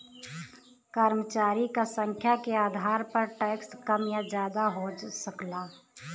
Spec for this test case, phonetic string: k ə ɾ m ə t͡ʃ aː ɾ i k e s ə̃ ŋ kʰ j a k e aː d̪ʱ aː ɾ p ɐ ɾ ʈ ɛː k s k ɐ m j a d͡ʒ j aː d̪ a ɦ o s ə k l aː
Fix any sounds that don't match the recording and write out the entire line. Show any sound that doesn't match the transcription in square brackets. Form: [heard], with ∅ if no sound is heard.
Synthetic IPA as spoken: k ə ɾ m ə t͡ʃ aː ɾ i k [a] s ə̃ ŋ kʰ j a k e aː d̪ʱ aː ɾ p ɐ ɾ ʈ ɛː k s k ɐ m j a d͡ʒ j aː d̪ a ɦ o s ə k l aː

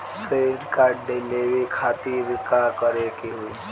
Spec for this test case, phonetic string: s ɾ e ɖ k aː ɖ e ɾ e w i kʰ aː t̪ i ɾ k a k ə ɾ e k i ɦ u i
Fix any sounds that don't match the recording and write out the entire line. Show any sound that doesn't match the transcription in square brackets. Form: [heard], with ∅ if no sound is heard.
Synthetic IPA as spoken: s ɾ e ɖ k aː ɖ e [l] e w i kʰ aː t̪ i ɾ k a k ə ɾ e k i ɦ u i

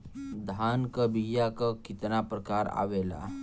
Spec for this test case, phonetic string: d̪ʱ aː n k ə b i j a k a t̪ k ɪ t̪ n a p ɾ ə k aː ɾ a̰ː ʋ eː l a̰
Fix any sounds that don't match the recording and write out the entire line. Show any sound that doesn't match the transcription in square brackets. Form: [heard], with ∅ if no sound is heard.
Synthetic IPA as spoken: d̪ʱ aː n k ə b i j a k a [∅] k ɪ t̪ n a p ɾ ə k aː ɾ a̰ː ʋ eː l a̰

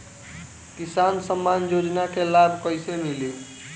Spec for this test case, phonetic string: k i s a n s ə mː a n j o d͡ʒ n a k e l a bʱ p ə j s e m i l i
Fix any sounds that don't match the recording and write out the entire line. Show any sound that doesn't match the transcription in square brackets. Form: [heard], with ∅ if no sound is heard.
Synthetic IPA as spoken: k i s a n s ə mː a n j o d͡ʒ n a k e l a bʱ [k] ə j s e m i l i

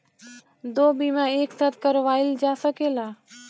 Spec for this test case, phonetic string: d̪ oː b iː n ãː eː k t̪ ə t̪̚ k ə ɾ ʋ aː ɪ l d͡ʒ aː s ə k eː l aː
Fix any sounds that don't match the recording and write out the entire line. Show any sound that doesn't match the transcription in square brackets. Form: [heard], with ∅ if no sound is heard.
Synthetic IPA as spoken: d̪ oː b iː [m] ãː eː k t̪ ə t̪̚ k ə ɾ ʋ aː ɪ l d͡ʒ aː s ə k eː l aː

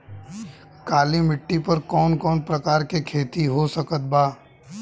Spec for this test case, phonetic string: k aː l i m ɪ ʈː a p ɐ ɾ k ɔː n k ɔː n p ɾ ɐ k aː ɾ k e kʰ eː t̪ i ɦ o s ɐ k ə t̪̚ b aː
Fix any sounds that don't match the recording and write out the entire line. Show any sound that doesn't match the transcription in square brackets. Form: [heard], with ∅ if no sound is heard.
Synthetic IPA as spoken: k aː l i m ɪ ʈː [i] p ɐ ɾ k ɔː n k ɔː n p ɾ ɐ k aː ɾ k e kʰ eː t̪ i ɦ o s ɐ k ə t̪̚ b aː

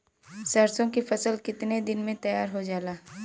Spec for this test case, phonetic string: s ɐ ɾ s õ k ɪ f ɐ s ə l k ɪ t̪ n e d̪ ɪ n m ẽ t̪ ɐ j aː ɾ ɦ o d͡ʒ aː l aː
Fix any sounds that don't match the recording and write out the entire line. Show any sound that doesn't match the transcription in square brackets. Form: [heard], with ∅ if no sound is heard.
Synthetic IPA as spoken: s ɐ ɾ s õ k [i] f ɐ s ə l k ɪ t̪ n e d̪ ɪ n m ẽ t̪ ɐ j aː ɾ ɦ o d͡ʒ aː l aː

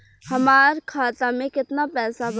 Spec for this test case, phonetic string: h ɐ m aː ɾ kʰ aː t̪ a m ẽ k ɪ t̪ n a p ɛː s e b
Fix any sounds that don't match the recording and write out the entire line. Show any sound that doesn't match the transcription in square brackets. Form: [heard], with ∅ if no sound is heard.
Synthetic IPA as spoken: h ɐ m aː ɾ kʰ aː t̪ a m ẽ k ɪ t̪ n a p ɛː s [a] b

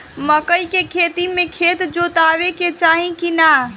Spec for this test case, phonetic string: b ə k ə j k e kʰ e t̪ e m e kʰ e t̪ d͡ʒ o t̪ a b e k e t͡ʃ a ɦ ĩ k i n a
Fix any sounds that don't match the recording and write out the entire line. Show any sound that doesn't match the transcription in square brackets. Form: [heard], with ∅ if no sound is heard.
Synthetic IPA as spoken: [m] ə k ə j k e kʰ e t̪ [i] m e kʰ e t̪ d͡ʒ o t̪ a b e k e t͡ʃ a ɦ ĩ k i n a

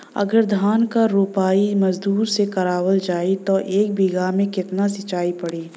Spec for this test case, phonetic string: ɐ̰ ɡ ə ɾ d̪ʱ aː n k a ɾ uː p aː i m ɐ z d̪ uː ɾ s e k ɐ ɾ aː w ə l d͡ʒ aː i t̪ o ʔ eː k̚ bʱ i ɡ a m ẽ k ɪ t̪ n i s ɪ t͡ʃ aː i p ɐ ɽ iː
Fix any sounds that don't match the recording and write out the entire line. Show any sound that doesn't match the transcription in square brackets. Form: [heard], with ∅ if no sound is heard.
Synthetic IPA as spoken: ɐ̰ ɡ ə ɾ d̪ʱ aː n k a ɾ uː p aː i m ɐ z d̪ uː ɾ s e k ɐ ɾ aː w ə l d͡ʒ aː i t̪ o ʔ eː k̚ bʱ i ɡ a m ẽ k ɪ t̪ n [a] s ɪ t͡ʃ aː i p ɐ ɽ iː

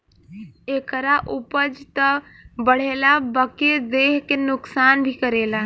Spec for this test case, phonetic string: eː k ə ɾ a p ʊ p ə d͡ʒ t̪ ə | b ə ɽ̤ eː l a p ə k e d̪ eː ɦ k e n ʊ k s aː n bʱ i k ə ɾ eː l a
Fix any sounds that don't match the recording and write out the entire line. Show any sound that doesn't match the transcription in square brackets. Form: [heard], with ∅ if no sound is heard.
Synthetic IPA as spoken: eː k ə ɾ a [ʔ] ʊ p ə d͡ʒ t̪ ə | b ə ɽ̤ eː l a [b] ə k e d̪ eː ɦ k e n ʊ k s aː n bʱ i k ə ɾ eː l a

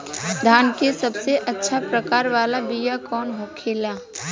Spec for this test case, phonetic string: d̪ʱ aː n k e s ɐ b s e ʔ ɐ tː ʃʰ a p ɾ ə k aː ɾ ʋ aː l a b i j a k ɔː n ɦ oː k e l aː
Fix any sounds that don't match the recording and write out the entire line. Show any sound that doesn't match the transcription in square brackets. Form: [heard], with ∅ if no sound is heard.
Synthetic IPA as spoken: d̪ʱ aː n k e s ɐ b s e ʔ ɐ tː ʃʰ a p ɾ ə k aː ɾ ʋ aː l a b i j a k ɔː n ɦ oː [kʰ] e l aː

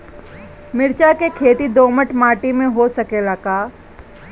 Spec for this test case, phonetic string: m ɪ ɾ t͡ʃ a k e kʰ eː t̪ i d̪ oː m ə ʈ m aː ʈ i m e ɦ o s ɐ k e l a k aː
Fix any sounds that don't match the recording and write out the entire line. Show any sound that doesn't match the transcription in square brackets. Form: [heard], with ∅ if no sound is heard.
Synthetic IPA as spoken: m ɪ ɾ t͡ʃ a k e kʰ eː t̪ i d̪ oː m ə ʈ m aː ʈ i m [ẽ] ɦ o s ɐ k e l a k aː

